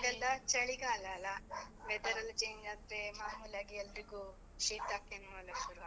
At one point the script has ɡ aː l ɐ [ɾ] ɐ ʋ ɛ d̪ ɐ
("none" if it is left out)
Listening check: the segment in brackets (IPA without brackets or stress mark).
l